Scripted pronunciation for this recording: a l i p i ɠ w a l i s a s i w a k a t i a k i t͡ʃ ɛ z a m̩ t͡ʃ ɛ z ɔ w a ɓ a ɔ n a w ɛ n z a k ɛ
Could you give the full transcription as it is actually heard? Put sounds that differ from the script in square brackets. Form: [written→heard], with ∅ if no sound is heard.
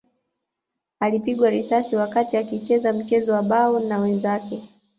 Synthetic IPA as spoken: a l i p i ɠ w a [l→ɾ] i s a s i w a k a t i a k i t͡ʃ ɛ z a m̩ t͡ʃ ɛ z ɔ w a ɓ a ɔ n a w ɛ n z a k ɛ